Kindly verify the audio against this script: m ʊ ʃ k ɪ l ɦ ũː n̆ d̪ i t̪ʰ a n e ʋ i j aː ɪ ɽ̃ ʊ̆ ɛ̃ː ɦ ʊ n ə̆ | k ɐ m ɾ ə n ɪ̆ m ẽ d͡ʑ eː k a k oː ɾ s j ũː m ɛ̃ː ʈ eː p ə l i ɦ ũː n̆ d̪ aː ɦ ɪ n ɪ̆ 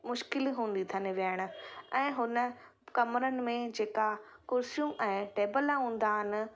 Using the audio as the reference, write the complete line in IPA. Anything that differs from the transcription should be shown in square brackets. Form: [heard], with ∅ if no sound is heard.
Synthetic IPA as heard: m ʊ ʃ k ɪ l ɦ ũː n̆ d̪ i t̪ʰ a n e ʋ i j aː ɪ ɽ̃ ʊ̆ ɛ̃ː ɦ ʊ n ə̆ | k ɐ m ɾ ə n ɪ̆ m ẽ d͡ʑ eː k a k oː ɾ s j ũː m ɛ̃ː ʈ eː [b] ə l [a] ɦ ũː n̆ d̪ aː ɦ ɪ n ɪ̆